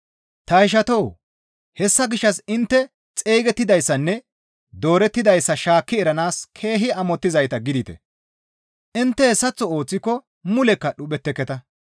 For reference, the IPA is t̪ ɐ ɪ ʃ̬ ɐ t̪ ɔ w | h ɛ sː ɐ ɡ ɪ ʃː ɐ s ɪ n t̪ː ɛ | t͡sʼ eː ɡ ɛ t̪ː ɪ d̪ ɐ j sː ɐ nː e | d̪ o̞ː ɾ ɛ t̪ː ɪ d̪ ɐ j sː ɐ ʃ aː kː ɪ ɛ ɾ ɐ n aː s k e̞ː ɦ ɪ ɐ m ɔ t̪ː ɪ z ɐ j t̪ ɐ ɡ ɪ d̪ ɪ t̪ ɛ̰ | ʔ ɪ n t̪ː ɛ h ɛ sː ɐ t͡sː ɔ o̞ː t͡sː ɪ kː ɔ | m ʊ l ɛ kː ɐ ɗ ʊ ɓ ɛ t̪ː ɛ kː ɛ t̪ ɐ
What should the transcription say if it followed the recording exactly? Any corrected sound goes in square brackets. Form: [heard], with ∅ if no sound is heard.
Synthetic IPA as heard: t̪ ɐ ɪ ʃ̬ ɐ t̪ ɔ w | h ɛ sː ɐ ɡ ɪ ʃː ɐ s ɪ n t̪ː ɛ | t͡sʼ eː ɡ ɛ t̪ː ɪ d̪ ɐ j sː ɐ nː [ɛ] | d̪ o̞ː ɾ ɛ t̪ː ɪ d̪ ɐ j sː ɐ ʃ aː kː ɪ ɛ ɾ ɐ n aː s [kʰ] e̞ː ɦ ɪ ɐ m ɔ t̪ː ɪ z ɐ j t̪ ɐ ɡ ɪ d̪ ɪ t̪ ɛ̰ | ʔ ɪ n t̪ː ɛ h ɛ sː ɐ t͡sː ɔ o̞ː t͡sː ɪ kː ɔ | m ʊ l ɛ kː ɐ ɗ ʊ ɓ ɛ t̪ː ɛ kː ɛ t̪ ɐ